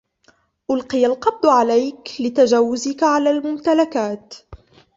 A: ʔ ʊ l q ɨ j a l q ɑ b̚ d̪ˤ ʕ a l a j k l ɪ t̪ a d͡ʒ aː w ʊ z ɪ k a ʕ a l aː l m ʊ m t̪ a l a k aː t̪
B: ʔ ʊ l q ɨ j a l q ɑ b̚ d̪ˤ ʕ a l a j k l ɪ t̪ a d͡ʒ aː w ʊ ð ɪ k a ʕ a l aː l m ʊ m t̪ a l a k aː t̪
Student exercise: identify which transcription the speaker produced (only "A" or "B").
A